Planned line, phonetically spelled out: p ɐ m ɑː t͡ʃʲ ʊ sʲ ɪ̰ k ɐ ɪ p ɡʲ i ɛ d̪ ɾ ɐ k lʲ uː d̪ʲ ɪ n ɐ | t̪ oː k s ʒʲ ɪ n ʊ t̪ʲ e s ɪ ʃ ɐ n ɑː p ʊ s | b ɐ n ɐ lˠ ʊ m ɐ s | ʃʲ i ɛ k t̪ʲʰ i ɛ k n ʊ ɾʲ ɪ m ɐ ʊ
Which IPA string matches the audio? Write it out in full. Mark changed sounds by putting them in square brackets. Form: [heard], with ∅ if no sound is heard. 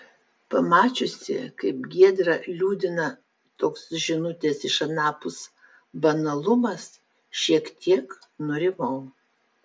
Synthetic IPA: p ɐ m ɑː t͡ʃʲ ʊ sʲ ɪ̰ k ɐ ɪ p ɡʲ i ɛ d̪ ɾ ɐ [∅] lʲ uː d̪ʲ ɪ n ɐ | t̪ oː k s ʒʲ ɪ n ʊ t̪ʲ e s ɪ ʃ ɐ n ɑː p ʊ s | b ɐ n ɐ lˠ ʊ m ɐ s | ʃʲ i ɛ k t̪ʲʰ i ɛ k n ʊ ɾʲ ɪ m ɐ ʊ